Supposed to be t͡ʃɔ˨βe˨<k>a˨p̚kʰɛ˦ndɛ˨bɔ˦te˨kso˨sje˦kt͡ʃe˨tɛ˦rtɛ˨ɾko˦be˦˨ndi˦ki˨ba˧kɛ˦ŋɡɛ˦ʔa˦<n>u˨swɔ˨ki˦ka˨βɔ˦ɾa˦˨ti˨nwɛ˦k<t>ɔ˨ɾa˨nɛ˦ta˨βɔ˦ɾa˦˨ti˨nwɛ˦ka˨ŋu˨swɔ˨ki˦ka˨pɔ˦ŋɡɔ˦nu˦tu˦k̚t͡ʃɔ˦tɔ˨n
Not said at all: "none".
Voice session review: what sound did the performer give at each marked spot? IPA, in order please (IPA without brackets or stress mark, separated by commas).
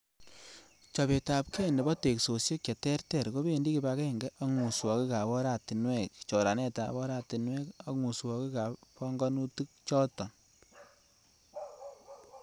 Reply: t, ŋ, t͡ʃ